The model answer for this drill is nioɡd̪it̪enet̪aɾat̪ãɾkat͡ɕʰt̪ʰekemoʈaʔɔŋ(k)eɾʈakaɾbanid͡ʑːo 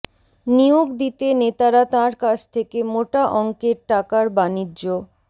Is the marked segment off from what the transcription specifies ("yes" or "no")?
no